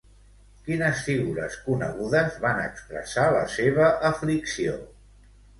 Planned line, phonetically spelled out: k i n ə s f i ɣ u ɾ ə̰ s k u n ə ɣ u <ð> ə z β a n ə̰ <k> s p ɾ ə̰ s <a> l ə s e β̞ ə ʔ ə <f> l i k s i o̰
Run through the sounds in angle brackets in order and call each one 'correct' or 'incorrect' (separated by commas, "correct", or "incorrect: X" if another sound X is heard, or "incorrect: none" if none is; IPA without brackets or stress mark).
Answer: correct, correct, correct, correct